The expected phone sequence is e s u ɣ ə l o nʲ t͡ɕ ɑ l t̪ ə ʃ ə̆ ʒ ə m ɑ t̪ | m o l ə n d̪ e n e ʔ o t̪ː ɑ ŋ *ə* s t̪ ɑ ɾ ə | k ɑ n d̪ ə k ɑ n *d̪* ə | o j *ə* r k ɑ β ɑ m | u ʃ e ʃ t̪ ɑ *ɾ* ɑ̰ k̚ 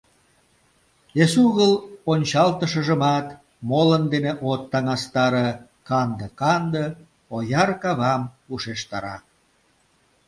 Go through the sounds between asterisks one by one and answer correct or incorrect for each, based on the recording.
incorrect: ɑ, correct, incorrect: ɑ, correct

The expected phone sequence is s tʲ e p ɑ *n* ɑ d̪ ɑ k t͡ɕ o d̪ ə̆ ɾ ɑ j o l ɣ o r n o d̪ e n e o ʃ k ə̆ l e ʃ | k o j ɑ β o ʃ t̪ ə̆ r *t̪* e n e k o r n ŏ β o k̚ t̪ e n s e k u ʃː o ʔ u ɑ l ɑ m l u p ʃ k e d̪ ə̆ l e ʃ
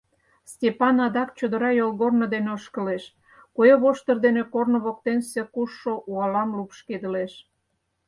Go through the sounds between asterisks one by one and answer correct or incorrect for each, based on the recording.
correct, incorrect: d̪

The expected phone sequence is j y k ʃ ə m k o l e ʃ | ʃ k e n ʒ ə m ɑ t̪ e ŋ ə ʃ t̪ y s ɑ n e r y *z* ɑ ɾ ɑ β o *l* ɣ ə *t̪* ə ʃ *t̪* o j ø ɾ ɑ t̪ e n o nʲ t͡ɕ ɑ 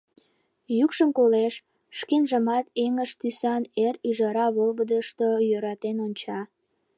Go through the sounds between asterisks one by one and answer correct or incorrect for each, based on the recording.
incorrect: ʒ, correct, incorrect: d̪, correct

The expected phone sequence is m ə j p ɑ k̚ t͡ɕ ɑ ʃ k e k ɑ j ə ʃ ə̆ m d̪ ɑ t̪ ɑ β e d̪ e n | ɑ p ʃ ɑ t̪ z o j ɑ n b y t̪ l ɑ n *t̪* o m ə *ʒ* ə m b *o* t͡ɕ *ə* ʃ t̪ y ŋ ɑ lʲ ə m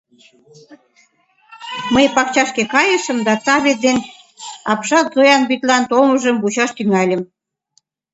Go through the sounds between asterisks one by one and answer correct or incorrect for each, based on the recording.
correct, correct, incorrect: u, incorrect: ɑ

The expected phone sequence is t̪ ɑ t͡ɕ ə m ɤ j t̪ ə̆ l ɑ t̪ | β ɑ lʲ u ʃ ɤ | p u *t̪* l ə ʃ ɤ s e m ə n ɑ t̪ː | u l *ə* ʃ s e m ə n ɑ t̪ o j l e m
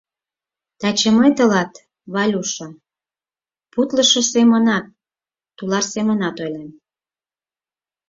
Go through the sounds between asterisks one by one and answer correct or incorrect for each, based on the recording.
correct, incorrect: ɑ

